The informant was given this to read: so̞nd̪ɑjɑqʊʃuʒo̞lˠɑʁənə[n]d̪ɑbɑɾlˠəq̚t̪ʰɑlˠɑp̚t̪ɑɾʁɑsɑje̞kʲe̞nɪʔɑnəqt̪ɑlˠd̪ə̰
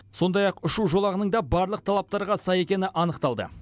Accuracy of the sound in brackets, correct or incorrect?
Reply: incorrect